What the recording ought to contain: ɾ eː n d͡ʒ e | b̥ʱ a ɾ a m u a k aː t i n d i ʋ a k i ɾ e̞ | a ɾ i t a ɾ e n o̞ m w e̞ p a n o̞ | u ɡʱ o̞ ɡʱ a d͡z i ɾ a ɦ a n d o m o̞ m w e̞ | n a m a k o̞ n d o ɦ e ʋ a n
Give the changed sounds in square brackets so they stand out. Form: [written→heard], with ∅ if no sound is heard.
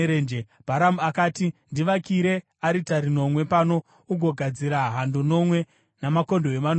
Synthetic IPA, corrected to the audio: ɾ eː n d͡ʒ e | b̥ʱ a ɾ a m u a k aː t i n d i ʋ a k i ɾ e̞ | a ɾ i t a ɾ [e→i] n o̞ m w e̞ p a n o̞ | u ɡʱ o̞ ɡʱ a d͡z i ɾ a ɦ a n d o [m→n] o̞ m w e̞ | n a m a k o̞ n d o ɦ e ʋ a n